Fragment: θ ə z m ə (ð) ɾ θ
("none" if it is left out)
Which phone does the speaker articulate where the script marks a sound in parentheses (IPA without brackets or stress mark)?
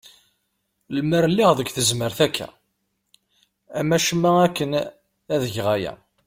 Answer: none